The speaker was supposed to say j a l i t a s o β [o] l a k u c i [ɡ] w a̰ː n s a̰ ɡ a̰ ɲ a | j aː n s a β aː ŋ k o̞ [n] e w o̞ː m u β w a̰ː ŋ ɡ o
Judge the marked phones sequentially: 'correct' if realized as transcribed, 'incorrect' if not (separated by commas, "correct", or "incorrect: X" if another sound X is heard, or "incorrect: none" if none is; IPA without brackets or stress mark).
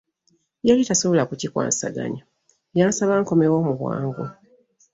correct, incorrect: k, incorrect: m